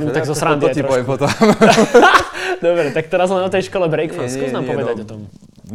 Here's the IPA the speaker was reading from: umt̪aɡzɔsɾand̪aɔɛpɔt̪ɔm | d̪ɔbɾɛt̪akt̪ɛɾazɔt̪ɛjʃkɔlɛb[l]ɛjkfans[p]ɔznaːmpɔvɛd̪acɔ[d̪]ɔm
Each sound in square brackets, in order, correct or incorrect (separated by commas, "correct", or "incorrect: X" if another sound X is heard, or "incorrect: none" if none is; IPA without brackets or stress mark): incorrect: ɾ, incorrect: k, incorrect: t̪